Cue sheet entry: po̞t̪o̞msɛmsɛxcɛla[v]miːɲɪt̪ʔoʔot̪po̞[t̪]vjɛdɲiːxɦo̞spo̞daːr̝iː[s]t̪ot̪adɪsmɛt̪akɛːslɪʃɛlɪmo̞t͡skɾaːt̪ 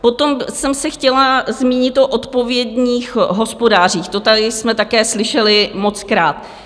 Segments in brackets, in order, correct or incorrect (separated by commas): incorrect, incorrect, incorrect